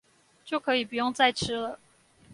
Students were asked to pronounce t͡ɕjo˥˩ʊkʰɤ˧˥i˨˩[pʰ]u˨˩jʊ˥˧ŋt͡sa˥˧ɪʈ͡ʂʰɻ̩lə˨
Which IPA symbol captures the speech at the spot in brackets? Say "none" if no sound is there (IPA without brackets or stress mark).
p